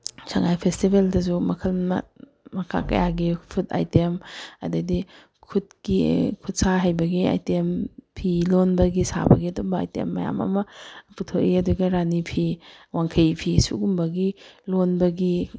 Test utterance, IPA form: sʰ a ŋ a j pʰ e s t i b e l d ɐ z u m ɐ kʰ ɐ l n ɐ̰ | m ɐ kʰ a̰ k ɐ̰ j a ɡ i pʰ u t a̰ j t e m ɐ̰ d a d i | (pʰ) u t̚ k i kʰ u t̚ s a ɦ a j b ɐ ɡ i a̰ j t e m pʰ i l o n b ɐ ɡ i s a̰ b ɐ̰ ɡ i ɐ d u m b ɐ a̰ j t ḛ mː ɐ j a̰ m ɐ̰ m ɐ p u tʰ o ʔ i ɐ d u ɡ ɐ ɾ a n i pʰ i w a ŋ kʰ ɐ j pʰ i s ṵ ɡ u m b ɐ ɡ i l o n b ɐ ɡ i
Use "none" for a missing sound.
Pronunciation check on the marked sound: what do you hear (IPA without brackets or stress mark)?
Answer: kʰ